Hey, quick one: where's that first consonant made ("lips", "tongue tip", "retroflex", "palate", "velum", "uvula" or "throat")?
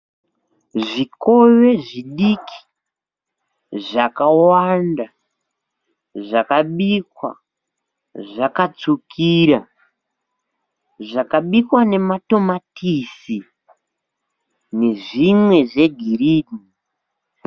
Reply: retroflex